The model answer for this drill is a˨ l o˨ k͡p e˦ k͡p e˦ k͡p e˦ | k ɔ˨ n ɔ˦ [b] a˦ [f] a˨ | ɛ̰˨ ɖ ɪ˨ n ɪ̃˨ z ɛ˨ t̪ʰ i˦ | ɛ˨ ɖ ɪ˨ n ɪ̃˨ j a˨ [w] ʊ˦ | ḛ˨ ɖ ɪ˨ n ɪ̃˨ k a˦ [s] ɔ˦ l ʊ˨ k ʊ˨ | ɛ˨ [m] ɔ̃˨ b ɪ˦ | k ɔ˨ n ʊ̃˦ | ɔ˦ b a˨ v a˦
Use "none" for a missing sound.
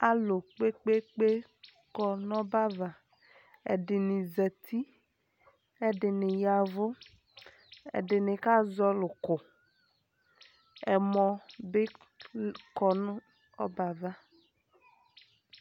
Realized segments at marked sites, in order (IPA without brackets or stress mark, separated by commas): b, v, v, z, m